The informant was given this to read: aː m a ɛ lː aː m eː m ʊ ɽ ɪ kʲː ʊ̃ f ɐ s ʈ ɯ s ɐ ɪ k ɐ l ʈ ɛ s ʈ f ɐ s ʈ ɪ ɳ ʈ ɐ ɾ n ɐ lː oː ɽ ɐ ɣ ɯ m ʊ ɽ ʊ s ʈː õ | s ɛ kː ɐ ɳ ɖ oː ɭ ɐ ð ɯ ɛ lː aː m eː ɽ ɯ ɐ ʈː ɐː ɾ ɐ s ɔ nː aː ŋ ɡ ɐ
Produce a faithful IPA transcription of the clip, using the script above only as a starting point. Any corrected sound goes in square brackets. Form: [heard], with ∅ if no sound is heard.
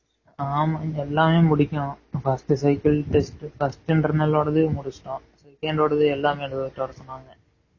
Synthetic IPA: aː m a ɛ lː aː m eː m ʊ ɽ ɪ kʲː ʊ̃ f ɐ s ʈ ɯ s ɐ ɪ k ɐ l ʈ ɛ s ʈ f ɐ s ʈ ɪ ɳ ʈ ɐ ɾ n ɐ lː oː ɽ ɐ [ð] ɯ m ʊ ɽ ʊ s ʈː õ | s ɛ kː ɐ ɳ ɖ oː [ɽ] ɐ ð ɯ ɛ lː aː m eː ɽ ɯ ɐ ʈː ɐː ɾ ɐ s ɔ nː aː ŋ ɡ ɐ